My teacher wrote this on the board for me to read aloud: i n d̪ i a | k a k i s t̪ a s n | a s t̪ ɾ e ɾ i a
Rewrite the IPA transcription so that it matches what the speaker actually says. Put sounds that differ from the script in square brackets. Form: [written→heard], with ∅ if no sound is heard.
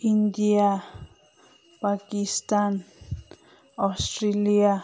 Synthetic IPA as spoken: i n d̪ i a | [k→p] a k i s t̪ a [s→∅] n | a s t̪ ɾ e [ɾ→l] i a

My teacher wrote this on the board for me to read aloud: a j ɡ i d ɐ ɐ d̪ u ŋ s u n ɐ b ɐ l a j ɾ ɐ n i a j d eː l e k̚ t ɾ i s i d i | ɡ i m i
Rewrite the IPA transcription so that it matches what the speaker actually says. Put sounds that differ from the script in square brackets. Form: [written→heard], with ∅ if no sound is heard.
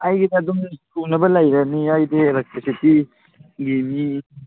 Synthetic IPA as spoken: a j ɡ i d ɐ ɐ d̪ u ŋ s u n ɐ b ɐ l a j ɾ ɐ n i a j d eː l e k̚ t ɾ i s i [d→t] i | ɡ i m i

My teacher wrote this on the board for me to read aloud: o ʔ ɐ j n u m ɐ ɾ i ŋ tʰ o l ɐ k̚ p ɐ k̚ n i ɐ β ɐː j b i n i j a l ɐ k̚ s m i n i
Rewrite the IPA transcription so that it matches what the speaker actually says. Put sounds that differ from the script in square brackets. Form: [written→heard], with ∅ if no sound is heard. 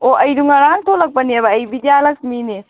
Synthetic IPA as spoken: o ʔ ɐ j [n→d] u [m→ŋ] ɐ ɾ [i→a] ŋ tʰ o l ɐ k̚ p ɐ [k̚→∅] n i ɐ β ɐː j b i [n→d] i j a l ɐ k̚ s m i n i

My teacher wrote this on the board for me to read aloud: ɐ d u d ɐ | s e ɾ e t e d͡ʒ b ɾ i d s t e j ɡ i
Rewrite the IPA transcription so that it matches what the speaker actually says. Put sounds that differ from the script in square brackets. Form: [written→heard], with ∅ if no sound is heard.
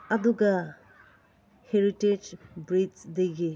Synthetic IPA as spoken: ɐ d u [d→ɡ] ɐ | [s→h] e ɾ [e→i] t e d͡ʒ b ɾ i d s [t→d] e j ɡ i

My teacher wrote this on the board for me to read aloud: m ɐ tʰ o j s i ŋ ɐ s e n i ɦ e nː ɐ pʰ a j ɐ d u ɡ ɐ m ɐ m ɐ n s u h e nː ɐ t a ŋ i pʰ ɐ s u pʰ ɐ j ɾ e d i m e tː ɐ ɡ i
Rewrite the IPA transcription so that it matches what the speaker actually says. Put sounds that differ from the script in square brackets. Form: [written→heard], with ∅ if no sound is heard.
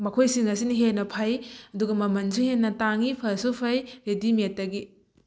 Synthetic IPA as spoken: m ɐ [tʰ→kʰ] o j s i ŋ ɐ s [e→i] n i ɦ e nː ɐ pʰ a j ɐ d u ɡ ɐ m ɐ m ɐ n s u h e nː ɐ t a ŋ i pʰ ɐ s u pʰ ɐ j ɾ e d i m e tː ɐ ɡ i

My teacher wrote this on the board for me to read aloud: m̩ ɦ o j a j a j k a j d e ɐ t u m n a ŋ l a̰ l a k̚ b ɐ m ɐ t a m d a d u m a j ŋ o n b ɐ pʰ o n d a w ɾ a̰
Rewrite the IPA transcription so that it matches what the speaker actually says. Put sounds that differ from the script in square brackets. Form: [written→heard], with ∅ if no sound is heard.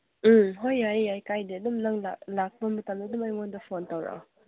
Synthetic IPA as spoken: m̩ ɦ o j a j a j k a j d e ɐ [t→d] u m n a ŋ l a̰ l a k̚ b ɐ m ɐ t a m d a d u m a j ŋ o n [b→d] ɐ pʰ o n [d→t] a w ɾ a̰

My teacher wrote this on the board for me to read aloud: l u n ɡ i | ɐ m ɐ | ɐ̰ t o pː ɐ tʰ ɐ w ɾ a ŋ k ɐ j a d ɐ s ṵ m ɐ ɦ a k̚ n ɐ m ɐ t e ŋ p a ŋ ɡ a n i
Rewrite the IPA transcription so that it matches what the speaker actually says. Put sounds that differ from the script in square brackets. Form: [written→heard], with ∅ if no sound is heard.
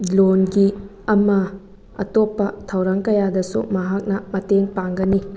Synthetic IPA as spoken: l [u→o] n ɡ i | ɐ m ɐ | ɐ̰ t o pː ɐ tʰ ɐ w ɾ a ŋ k ɐ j a d ɐ s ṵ m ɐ ɦ a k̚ n ɐ m ɐ t e ŋ p a ŋ ɡ [a→ɐ] n i

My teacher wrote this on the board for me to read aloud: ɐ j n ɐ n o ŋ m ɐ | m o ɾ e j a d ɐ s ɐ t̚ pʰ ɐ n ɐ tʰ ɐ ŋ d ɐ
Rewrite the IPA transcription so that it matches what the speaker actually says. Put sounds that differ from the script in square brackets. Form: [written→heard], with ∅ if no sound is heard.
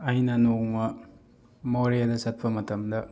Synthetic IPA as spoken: ɐ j n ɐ n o ŋ m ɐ | m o ɾ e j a d ɐ s ɐ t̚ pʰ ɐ [n→m] ɐ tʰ ɐ [ŋ→m] d ɐ

